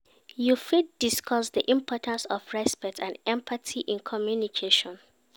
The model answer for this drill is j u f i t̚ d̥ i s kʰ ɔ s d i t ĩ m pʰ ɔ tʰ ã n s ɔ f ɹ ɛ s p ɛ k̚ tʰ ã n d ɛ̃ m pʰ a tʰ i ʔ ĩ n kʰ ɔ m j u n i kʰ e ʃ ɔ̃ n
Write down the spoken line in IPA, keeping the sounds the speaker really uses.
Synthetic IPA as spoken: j u f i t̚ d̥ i s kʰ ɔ s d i ʔ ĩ m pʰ ɔ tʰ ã n s ɔ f ɹ ɛ s p ɛ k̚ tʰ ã n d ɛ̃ m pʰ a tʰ i ʔ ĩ n kʰ ɔ m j u n i kʰ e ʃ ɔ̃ n